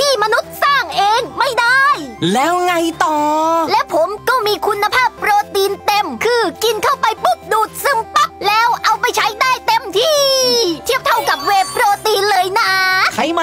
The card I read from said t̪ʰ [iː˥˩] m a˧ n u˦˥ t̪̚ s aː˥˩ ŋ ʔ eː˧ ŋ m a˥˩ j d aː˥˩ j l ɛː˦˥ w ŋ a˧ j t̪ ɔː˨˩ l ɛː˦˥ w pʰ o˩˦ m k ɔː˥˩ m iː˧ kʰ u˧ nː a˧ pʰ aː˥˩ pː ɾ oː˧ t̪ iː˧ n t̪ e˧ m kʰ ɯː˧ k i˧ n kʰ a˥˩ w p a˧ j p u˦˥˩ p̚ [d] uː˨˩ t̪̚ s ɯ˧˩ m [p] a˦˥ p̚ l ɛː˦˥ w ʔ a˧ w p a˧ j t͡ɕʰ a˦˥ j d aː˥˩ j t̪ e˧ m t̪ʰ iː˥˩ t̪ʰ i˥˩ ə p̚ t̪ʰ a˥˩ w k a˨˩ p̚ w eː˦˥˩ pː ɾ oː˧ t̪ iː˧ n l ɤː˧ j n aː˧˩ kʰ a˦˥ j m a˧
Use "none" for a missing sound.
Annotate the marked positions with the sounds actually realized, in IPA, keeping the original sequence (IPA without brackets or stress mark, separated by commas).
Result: iː˥˩, d, p